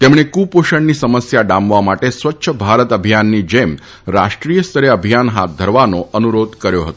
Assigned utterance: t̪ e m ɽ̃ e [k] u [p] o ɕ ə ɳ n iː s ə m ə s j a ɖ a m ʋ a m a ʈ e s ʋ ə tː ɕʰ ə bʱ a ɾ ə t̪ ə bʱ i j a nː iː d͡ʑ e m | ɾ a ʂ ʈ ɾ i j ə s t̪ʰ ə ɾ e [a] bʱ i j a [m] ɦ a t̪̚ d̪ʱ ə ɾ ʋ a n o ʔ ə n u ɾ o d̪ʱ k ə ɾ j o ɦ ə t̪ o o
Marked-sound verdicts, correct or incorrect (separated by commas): correct, correct, incorrect, incorrect